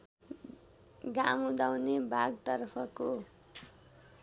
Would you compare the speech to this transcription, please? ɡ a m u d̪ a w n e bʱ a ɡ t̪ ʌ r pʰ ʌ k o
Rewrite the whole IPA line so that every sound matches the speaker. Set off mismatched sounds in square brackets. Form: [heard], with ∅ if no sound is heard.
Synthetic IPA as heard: ɡ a m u d̪ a w n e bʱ a ɡ t̪ ʌ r pʰ ʌ k o